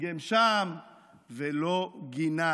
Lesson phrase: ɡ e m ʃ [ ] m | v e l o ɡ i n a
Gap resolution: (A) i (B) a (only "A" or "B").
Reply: B